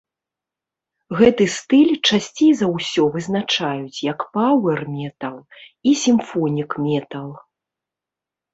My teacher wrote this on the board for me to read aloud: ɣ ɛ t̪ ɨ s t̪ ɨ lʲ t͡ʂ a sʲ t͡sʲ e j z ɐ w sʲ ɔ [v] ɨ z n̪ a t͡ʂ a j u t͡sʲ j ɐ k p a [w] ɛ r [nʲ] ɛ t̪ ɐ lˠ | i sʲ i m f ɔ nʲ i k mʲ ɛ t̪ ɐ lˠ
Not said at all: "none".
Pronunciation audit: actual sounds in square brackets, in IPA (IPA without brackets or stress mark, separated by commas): v, w, mʲ